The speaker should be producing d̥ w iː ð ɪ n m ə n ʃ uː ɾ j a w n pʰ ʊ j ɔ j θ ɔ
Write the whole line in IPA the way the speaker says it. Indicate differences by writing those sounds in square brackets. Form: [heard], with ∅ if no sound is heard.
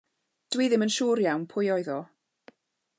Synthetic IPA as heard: d̥ w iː ð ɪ [∅] m ə n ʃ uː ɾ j a w n pʰ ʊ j ɔ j [ð] ɔ